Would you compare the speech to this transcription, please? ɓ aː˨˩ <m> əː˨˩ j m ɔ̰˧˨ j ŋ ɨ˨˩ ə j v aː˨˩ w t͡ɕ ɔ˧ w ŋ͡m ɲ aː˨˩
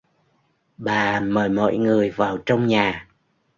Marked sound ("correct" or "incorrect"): correct